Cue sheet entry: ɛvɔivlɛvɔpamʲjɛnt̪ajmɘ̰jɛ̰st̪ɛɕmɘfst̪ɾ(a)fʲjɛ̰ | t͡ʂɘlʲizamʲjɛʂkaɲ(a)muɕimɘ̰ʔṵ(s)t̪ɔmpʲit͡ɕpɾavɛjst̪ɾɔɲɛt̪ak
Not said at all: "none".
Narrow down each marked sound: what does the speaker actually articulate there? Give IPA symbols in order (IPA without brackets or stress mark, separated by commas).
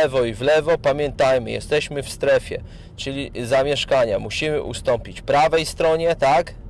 ɛ, a, s